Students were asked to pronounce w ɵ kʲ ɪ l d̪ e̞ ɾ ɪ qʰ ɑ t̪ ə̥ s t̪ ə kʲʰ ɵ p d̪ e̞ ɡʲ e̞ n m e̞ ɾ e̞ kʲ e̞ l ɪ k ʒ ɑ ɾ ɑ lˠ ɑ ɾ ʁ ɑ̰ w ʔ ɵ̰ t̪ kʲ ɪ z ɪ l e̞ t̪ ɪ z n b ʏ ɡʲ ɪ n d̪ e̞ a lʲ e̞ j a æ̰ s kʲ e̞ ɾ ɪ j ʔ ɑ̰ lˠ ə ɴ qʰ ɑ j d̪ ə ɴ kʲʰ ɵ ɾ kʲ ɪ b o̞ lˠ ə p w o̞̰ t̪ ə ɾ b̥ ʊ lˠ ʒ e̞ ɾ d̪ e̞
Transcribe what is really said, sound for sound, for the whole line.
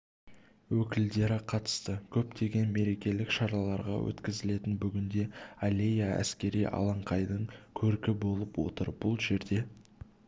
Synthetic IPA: w ɵ kʲ ɪ l d̪ e̞ ɾ ɪ qʰ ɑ t̪ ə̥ s t̪ ə kʲʰ ɵ p t̪ e̞ ɡʲ e̞ n m e̞ ɾ e̞ kʲ e̞ l ɪ k ʃ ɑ ɾ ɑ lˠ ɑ ɾ ʁ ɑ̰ w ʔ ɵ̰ t̪ kʲ ɪ z ɪ l e̞ t̪ ɪ n b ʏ ɡʲ ɪ n d̪ e̞ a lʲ e̞ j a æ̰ s kʲ e̞ ɾ i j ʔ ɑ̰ lˠ ɑ ɴ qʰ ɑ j d̪ ə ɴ kʲʰ ɵ ɾ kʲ ɪ b o̞ lˠ ə p w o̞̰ t̪ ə ɾ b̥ ʊ lˠ ʒ e̞ ɾ d̪ e̞

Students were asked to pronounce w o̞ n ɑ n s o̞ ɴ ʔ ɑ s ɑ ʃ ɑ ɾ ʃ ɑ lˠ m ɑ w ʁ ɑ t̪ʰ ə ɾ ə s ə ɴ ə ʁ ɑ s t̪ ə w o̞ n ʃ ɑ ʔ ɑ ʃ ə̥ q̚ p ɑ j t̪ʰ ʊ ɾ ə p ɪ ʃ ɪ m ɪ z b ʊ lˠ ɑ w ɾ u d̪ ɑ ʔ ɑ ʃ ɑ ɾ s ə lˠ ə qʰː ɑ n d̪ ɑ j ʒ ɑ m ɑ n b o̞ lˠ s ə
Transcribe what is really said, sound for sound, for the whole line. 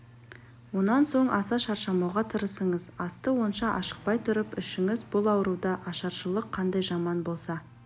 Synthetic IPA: w o̞ n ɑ n s o̞ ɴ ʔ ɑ s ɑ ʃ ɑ ɾ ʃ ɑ m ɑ w ʁ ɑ t̪ʰ ə ɾ ə s ə ɴ ə z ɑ s t̪ ə w o̞ n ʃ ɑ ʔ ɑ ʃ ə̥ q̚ p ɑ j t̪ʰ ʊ ɾ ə p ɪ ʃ ɪ ŋ ɪ z b ʊ lˠ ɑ w ɾ u d̪ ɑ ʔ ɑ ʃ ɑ ɾ ʃ ə lˠ ə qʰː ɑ n d̪ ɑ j ʒ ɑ m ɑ n b o̞ lˠ s ɑ

